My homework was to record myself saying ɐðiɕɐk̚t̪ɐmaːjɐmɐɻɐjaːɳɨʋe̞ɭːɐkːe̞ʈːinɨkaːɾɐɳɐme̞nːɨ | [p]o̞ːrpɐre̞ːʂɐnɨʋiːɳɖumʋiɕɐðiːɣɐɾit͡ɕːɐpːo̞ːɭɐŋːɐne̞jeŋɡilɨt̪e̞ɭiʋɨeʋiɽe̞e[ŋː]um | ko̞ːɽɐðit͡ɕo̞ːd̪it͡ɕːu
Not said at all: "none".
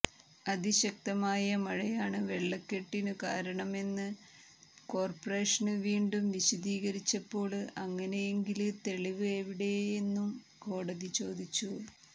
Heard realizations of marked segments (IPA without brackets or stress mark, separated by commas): k, nː